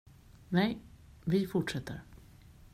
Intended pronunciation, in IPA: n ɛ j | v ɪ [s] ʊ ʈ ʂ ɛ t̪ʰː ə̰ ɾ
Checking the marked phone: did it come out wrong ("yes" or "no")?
yes